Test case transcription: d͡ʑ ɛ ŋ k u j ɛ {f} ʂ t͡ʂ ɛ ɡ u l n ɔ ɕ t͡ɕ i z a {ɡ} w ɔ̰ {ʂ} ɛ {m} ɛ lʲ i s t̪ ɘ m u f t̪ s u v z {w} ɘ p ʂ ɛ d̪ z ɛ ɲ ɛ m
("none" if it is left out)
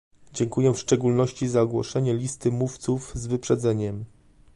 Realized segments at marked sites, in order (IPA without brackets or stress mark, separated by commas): f, ɡ, ʂ, ɲ, v